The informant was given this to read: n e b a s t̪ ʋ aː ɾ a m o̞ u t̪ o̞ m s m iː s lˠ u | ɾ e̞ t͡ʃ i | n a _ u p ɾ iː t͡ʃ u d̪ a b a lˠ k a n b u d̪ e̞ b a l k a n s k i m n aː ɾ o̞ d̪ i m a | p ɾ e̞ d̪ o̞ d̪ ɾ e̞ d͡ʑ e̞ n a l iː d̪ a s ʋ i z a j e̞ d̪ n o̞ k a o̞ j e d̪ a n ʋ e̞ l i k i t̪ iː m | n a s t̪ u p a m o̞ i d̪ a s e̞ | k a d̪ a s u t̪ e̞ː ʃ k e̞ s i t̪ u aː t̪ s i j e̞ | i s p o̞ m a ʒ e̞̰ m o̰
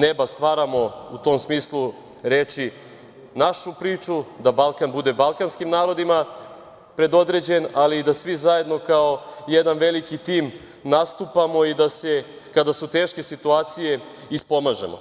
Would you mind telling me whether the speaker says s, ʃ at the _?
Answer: ʃ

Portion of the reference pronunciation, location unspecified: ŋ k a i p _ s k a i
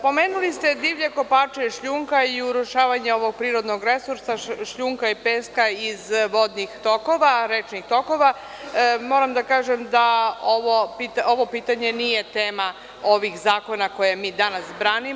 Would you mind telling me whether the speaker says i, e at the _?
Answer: e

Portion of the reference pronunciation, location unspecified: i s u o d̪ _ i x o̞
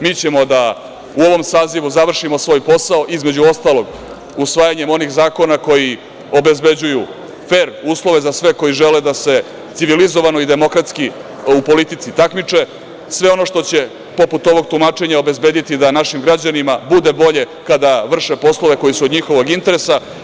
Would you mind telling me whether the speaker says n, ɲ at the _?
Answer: ɲ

